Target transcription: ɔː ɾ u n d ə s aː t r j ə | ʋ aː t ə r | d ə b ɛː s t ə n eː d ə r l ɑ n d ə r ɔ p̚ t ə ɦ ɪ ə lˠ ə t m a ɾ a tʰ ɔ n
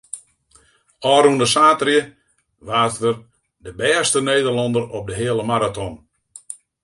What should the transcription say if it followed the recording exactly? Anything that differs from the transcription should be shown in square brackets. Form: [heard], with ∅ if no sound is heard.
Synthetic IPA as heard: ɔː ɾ u n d ə s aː t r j ə | ʋ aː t ə r | d ə b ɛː s t ə n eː d ə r l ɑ n d ə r ɔ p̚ [d] ə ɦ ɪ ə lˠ ə [∅] m a ɾ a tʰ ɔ n